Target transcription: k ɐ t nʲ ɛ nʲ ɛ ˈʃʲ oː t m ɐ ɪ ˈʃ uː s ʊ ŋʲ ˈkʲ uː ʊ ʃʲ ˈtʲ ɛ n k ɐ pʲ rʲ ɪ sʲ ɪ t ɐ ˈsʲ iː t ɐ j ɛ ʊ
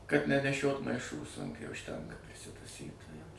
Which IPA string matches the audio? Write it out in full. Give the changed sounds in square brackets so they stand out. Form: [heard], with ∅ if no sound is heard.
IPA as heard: k ɐ t nʲ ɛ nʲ ɛ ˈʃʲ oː t m ɐ ɪ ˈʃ uː s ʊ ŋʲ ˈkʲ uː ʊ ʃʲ ˈtʲ ɛ [ŋ] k ɐ pʲ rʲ ɪ sʲ ɪ t ɐ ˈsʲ iː t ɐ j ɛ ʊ

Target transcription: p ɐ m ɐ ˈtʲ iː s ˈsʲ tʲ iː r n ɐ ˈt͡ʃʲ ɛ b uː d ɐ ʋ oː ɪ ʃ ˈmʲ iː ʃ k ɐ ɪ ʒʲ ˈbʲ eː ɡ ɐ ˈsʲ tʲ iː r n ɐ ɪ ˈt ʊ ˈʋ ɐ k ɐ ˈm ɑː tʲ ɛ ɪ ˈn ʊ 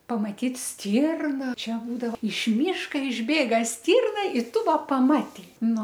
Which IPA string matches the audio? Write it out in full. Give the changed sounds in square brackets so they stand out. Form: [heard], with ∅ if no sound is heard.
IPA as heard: p ɐ m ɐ ˈtʲ iː [t] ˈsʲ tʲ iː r n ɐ ˈt͡ʃʲ ɛ b uː d ɐ ʋ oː ɪ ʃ ˈmʲ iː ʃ k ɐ ɪ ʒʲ ˈbʲ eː ɡ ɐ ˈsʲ tʲ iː r n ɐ ɪ ˈt ʊ ˈʋ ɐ [p] ɐ ˈm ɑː tʲ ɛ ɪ ˈn ʊ

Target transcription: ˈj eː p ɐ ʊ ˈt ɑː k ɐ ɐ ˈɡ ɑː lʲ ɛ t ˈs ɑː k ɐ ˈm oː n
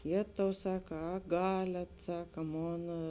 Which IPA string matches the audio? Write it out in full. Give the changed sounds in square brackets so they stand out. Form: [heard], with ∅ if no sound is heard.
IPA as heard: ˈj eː [t] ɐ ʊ [ˈs] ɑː k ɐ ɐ ˈɡ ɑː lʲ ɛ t ˈs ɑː k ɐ ˈm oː n

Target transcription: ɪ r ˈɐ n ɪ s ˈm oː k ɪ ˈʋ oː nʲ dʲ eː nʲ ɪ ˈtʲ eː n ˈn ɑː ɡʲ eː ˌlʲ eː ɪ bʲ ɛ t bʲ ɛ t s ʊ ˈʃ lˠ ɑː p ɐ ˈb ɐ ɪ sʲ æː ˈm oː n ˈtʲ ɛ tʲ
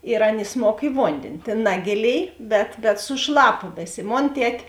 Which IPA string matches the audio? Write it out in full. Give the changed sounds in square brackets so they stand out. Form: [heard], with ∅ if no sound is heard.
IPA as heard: ɪ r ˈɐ n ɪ s ˈm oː k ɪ ˈʋ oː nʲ dʲ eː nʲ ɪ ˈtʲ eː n ˈn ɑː ɡʲ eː ˌlʲ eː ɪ bʲ ɛ t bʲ ɛ t s ʊ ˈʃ lˠ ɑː p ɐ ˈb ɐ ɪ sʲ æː ˈm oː n ˈtʲ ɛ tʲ

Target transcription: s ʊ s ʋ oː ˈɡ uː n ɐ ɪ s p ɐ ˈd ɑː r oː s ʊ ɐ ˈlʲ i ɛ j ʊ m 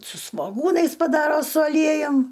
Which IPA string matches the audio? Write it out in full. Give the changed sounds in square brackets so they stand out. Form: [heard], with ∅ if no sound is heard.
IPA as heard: s ʊ s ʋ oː ˈɡ uː n ɐ ɪ s p ɐ ˈd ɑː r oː s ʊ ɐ ˈlʲ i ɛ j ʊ m

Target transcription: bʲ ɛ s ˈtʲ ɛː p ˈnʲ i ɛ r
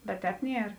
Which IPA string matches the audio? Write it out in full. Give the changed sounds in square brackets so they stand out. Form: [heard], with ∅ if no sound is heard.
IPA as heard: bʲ ɛ [t] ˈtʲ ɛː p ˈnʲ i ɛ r

